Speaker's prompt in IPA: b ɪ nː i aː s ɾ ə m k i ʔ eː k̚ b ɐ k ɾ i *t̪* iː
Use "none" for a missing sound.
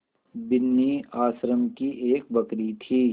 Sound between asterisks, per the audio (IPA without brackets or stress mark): t̪ʰ